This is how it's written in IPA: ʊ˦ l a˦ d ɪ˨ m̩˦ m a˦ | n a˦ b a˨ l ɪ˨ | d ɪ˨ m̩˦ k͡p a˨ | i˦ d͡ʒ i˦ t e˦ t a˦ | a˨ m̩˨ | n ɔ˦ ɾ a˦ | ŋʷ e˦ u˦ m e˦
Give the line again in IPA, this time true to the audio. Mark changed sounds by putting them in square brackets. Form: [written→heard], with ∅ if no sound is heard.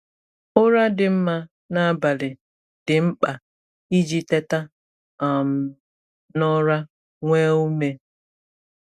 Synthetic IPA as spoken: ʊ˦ [l→ɾ] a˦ d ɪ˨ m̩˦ m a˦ | n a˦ b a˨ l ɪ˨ | d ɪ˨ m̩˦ k͡p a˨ | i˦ d͡ʒ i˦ t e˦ t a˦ | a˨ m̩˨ | n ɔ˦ ɾ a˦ | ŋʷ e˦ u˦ m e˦